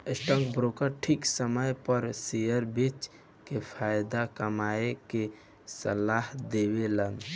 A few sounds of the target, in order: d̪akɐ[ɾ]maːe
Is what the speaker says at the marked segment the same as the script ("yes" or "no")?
no